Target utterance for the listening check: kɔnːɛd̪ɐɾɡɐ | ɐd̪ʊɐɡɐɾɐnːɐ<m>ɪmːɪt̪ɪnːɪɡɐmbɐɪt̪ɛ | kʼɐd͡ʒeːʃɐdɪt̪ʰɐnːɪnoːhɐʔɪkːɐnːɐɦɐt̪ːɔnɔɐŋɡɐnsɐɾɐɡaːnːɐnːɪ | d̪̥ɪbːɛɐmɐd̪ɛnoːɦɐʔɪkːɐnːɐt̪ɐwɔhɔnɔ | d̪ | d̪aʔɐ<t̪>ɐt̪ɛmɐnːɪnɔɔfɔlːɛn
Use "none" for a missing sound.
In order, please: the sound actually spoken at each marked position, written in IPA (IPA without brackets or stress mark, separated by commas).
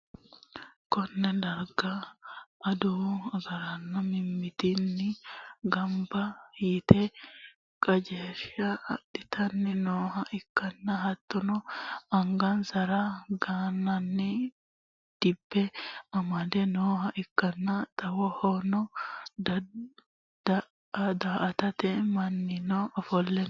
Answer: m, t̪